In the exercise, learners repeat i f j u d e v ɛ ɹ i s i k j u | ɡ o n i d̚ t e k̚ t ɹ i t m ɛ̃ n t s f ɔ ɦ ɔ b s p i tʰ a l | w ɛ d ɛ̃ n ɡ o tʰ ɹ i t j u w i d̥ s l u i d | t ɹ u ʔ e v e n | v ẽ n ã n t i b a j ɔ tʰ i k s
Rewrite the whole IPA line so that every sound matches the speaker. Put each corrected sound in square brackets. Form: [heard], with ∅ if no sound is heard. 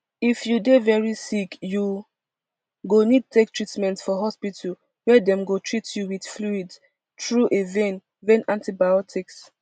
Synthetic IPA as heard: i f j u d e v ɛ ɹ i s i k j u | ɡ o n i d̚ t e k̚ t ɹ i t m ɛ̃ n t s f ɔ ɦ ɔ [∅] s p i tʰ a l | w ɛ d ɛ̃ [m] ɡ o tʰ ɹ i t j u w i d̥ [f] l u i d | t ɹ u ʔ e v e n | v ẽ n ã n t i b a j ɔ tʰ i k s